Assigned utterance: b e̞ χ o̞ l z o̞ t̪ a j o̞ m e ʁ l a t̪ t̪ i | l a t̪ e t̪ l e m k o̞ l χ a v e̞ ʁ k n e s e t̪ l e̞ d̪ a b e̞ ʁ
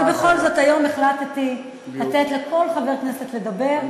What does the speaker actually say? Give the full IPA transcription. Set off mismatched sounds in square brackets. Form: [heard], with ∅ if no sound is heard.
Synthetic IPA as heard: b e̞ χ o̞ l z o̞ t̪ a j o̞ m e [χ] l a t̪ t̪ i | l a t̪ e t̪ l e [∅] k o̞ l χ a v e̞ ʁ k n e s e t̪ l e̞ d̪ a b e̞ ʁ